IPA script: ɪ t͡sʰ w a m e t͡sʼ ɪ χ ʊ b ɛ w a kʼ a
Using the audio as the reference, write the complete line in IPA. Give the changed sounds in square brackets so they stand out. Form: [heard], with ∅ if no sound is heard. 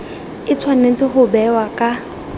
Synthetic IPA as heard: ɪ t͡sʰ w a [n] e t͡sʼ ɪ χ ʊ b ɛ w a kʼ a